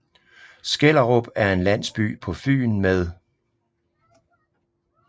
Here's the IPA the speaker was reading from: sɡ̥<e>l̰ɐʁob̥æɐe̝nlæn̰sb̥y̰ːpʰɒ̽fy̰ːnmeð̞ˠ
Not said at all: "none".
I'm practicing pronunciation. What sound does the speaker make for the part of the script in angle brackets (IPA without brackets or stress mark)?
e